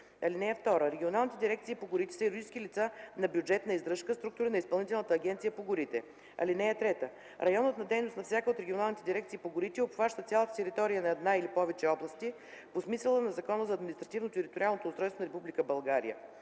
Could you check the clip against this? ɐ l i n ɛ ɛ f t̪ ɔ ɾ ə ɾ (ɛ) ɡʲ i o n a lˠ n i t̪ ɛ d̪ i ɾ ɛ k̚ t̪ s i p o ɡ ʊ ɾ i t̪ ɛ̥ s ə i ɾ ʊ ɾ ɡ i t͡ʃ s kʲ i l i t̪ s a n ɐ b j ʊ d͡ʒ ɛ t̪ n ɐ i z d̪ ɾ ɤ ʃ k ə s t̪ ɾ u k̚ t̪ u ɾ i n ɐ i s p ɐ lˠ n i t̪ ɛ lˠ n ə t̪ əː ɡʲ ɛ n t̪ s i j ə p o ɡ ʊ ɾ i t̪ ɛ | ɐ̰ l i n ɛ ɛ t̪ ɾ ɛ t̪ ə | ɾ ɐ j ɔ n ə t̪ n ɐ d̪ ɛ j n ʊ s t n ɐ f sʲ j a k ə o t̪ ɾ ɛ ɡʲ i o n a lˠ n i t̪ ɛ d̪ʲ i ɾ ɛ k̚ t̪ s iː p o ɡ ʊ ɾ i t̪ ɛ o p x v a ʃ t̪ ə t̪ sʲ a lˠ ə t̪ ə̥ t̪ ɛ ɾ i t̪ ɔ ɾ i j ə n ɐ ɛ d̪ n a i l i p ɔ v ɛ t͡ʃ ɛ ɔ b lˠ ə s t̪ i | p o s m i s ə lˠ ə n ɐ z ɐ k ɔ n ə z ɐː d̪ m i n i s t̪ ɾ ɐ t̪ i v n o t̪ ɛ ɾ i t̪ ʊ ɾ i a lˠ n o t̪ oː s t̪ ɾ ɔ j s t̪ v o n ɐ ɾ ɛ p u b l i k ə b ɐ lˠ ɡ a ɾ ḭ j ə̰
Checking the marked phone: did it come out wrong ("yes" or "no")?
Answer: no